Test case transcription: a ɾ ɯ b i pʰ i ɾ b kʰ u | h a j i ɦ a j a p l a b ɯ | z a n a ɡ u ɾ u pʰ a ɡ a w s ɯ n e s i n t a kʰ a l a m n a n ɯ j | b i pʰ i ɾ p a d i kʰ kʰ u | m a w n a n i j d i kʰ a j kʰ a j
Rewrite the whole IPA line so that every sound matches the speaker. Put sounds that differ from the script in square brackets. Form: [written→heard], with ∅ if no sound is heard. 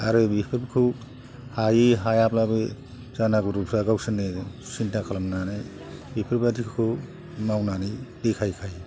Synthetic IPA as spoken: a ɾ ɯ b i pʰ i ɾ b kʰ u | h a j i ɦ a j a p l a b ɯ | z a n a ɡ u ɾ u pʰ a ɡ a w s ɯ n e s i n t a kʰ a l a m n a n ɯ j | b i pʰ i ɾ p a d i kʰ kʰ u | m a w n a n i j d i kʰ a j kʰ a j

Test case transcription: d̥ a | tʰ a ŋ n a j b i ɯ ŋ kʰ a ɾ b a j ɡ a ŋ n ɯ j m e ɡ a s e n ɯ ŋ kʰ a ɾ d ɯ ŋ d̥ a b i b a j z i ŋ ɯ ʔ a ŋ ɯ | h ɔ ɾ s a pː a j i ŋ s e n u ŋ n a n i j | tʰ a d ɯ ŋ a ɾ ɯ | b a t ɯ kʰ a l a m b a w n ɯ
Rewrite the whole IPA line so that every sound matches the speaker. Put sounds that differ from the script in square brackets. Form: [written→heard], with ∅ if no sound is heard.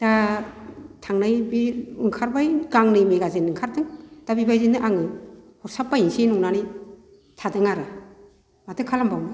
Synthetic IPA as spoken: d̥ a | tʰ a ŋ n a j b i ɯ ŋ kʰ a ɾ b a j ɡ a ŋ n ɯ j m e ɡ a [s→z] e n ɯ ŋ kʰ a ɾ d ɯ ŋ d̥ a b i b a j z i [ŋ→n] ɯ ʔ a ŋ ɯ | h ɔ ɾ s a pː a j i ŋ s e n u ŋ n a n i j | tʰ a d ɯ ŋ a ɾ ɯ | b a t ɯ kʰ a l a m b a w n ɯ

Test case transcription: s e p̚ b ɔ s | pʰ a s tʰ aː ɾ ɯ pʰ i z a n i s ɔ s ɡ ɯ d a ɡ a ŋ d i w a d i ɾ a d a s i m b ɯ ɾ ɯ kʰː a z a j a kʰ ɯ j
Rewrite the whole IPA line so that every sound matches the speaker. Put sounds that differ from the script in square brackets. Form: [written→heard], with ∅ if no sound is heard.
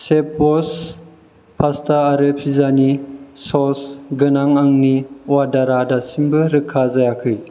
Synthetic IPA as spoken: s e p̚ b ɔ s | pʰ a s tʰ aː ɾ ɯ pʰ i z a n i s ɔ s ɡ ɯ [d→n] a [ɡ→ŋ] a ŋ [d→n] i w a d [i→a] ɾ a d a s i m b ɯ ɾ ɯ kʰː a z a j a kʰ ɯ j

